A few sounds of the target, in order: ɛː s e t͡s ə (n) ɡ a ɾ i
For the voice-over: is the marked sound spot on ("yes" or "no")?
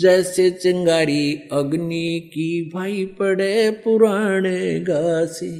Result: no